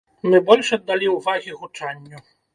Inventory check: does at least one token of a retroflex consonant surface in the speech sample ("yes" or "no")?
yes